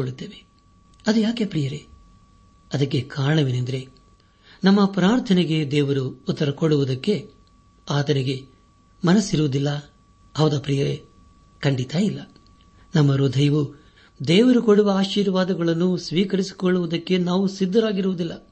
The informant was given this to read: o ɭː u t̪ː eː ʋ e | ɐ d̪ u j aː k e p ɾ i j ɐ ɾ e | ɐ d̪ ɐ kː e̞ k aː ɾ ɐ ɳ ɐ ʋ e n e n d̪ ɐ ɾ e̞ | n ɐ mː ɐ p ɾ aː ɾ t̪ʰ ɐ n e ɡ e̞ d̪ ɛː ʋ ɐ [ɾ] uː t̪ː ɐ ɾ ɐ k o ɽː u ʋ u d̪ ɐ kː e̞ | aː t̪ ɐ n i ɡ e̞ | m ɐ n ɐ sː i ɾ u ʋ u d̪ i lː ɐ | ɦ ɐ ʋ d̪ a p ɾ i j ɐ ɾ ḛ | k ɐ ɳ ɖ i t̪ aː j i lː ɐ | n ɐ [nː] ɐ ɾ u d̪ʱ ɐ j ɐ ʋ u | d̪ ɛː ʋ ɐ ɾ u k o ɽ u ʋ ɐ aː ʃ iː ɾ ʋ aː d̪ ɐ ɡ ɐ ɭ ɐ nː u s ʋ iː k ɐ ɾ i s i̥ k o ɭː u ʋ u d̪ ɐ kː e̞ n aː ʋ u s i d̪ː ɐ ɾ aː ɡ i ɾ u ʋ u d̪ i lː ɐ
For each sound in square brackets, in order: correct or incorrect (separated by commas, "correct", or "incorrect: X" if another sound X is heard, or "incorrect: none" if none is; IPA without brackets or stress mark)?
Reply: correct, incorrect: mː